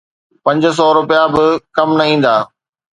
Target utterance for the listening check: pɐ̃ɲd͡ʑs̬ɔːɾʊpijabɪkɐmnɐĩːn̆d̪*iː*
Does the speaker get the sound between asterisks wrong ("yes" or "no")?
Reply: yes